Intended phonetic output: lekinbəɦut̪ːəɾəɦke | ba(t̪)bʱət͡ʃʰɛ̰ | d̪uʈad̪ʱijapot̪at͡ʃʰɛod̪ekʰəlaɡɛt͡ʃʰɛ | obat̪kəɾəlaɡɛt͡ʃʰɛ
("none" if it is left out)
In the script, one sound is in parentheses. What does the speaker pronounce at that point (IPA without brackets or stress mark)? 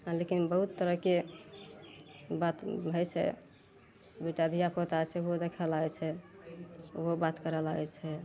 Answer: t̪